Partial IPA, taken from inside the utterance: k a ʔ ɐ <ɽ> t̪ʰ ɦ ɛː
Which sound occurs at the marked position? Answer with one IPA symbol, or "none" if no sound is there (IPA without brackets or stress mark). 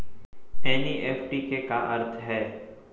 ɾ